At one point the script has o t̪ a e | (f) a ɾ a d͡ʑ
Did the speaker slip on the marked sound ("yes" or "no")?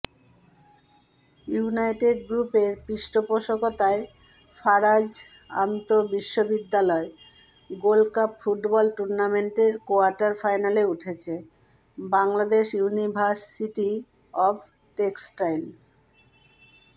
no